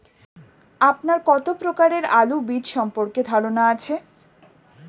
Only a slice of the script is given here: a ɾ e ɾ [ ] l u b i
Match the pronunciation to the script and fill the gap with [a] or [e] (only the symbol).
a